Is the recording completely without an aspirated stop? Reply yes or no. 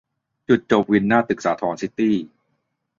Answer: no